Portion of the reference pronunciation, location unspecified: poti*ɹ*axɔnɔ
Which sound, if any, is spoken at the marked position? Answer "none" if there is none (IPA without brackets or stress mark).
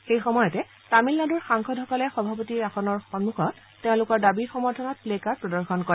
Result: ɹ